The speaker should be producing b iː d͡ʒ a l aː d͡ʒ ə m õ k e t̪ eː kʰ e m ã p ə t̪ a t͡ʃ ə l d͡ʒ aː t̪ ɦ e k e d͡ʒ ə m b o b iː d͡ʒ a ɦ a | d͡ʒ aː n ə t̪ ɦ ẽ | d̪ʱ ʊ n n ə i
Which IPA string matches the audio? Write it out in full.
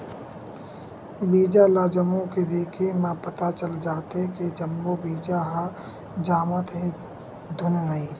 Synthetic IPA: b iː d͡ʒ a l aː d͡ʒ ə m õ k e d̪ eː kʰ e m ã p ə t̪ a t͡ʃ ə l d͡ʒ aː t̪ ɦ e k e d͡ʒ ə m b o b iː d͡ʒ a ɦ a | d͡ʒ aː m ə t̪ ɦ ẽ | d̪ʱ ʊ n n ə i